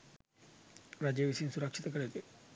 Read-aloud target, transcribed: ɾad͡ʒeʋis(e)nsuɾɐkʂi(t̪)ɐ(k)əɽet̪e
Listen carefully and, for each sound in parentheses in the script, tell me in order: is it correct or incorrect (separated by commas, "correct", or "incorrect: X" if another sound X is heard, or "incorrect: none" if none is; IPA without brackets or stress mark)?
incorrect: i, correct, correct